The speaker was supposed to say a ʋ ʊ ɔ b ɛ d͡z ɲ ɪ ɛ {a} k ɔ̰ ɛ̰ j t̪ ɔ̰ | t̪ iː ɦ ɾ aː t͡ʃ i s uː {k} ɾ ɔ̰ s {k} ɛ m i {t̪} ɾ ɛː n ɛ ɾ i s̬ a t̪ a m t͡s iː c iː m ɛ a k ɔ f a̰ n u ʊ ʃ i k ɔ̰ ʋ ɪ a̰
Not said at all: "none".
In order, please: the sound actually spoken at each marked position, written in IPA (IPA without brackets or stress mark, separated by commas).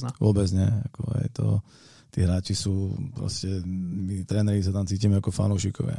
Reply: a, p, c, t̪